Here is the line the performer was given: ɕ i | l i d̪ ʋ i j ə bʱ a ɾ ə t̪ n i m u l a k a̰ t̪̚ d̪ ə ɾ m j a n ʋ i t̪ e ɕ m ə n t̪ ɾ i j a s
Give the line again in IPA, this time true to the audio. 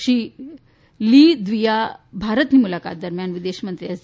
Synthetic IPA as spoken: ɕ i | l i d̪ ʋ i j a bʱ a ɾ ə t̪ n i m u l a k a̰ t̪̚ d̪ ə ɾ m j a n ʋ i d̪ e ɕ m ə n t̪ ɾ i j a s